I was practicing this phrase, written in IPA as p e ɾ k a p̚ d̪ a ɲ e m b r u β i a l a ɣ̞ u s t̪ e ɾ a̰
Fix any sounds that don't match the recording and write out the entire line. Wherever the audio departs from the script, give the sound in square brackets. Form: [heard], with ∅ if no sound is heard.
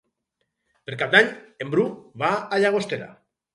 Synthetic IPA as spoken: p e ɾ k a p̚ d̪ a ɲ e m b [ɾ] u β [a] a [ʎ] a ɣ̞ [o] s t̪ e ɾ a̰